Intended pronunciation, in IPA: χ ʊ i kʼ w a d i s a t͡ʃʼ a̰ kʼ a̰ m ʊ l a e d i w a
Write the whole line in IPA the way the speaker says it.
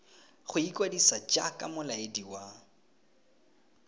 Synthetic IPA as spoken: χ ʊ i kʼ w a d i s a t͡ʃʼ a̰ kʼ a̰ m ʊ l a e d i w a